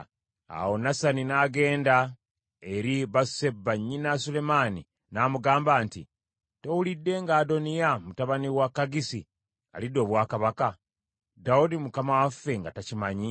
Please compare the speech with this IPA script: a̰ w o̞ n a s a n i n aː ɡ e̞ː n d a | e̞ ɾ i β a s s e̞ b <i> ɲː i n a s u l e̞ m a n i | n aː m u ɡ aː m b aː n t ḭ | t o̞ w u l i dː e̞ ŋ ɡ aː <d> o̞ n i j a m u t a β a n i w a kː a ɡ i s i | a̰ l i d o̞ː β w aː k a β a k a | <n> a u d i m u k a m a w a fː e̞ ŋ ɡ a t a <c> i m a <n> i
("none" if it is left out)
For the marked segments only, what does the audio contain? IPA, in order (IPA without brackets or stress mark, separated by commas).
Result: a, d, d, c, ɲ